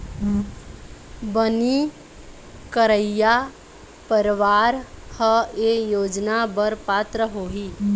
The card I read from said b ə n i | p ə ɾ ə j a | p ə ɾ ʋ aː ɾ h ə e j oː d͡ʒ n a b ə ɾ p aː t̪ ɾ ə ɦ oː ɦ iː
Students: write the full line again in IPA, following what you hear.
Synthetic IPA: b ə n i | k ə ɾ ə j a | p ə ɾ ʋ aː ɾ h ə e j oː d͡ʒ n a b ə ɾ p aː t̪ ɾ ə ɦ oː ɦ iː